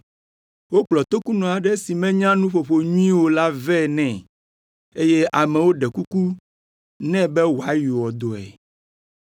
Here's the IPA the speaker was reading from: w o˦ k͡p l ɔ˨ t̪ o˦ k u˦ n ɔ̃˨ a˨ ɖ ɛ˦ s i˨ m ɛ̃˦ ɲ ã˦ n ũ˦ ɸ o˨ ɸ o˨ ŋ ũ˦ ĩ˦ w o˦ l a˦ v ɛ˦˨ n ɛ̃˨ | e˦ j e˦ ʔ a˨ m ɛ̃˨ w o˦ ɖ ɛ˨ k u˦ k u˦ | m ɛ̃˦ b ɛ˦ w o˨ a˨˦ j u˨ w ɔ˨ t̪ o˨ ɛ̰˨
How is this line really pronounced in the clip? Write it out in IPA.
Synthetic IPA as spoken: w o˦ k͡p l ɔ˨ t̪ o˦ k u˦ n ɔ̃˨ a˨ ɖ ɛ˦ s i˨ m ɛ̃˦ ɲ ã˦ n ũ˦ ɸ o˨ ɸ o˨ ɲ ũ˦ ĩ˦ w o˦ l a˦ v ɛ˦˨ n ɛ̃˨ | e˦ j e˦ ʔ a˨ m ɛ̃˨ w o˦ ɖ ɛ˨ k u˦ k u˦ | n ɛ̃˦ b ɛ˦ w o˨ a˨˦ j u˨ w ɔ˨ d̪ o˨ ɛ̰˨